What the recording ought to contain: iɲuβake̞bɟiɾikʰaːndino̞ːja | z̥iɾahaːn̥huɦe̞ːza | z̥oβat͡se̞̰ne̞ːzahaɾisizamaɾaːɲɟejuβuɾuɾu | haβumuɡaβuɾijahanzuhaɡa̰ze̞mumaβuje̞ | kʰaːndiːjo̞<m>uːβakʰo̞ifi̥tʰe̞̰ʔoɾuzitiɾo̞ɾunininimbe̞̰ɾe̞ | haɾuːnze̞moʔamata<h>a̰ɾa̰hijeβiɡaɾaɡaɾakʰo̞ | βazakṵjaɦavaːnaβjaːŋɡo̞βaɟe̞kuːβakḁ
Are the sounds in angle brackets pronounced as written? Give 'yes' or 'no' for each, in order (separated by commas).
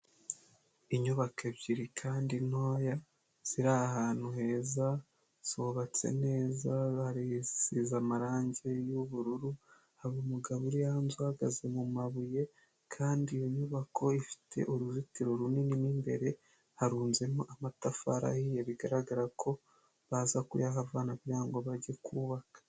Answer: no, no